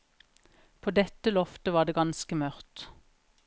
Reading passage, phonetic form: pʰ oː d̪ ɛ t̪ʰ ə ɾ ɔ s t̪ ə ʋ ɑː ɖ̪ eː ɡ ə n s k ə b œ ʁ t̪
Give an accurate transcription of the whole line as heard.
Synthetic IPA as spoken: pʰ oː d̪ ɛ t̪ ə l ɔ f t̪ ə ʋ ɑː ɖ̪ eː ɡ ɑ n s k ə m œ ʁ t̪